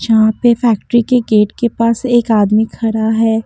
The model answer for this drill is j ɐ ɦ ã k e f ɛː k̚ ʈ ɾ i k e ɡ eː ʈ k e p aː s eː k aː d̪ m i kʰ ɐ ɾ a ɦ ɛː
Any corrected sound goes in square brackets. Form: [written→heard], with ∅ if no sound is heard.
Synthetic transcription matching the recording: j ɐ ɦ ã [k→p] e f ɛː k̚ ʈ ɾ i k e ɡ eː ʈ k e p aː s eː k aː d̪ m i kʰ ɐ ɾ a ɦ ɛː